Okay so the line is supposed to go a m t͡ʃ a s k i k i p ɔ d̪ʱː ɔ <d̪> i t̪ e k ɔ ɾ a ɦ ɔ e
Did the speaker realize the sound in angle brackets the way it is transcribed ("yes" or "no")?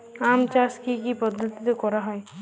no